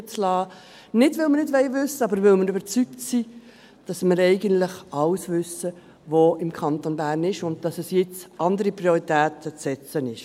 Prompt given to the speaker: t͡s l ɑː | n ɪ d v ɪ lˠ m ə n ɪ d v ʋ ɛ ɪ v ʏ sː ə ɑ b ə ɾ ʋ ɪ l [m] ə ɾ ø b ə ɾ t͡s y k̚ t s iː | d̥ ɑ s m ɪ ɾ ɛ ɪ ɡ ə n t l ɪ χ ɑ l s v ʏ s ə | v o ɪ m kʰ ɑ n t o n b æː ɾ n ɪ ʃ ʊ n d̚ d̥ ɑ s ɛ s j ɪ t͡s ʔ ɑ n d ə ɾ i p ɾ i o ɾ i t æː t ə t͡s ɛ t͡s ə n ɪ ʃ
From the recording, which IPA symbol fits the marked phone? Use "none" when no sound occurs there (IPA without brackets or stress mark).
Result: m